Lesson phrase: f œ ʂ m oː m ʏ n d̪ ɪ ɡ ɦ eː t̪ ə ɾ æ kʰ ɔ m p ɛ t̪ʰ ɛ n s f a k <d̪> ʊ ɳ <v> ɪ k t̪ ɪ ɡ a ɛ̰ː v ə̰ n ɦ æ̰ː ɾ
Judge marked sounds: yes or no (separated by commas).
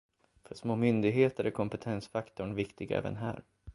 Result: no, yes